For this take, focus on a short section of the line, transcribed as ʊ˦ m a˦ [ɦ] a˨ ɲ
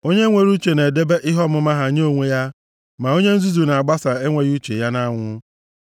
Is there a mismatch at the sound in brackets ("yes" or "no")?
no